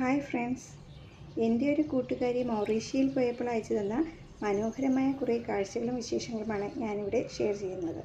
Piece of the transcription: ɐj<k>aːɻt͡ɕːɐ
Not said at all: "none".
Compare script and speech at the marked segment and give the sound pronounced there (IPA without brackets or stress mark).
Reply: k